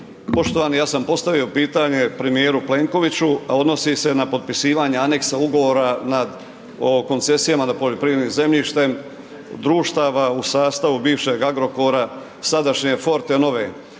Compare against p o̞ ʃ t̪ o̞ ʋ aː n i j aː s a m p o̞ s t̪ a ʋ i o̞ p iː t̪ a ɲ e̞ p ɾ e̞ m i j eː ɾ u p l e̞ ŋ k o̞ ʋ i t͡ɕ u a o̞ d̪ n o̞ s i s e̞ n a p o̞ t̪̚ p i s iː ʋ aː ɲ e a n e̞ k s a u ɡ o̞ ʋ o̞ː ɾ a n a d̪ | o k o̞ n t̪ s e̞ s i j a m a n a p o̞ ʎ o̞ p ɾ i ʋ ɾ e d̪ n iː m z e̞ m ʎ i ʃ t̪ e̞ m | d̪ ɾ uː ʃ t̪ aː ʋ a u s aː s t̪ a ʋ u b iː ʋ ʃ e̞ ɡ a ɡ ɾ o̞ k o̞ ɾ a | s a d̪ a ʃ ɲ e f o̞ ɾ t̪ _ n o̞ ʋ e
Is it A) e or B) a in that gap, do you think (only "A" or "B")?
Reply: A